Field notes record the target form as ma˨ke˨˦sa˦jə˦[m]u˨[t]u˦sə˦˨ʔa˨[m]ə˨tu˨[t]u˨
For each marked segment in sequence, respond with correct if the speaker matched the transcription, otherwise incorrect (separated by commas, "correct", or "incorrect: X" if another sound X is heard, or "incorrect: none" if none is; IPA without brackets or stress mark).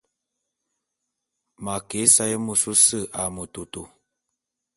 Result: correct, incorrect: s, correct, correct